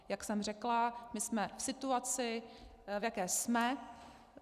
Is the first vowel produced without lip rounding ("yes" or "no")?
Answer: yes